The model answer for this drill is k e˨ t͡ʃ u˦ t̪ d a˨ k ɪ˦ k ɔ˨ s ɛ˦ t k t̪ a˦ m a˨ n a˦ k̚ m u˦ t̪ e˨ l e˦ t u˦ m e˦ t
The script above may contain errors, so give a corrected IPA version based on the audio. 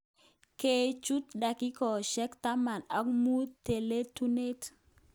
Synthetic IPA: k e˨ t͡ʃ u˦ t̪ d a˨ k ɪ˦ k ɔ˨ ʃ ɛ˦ k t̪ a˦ m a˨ n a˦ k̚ m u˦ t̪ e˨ l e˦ t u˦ n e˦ t